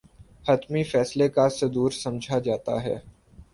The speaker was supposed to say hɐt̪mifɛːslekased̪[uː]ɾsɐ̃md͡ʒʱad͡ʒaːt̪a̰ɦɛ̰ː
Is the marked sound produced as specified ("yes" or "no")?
yes